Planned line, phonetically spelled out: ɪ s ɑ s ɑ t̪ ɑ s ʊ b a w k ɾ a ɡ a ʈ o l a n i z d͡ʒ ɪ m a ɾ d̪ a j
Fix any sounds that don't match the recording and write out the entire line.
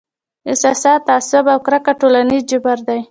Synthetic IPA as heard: ɪ s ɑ s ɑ t̪ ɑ s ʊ b a w k ɾ a k a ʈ o l a n i z d͡ʒ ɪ b a ɾ d̪ a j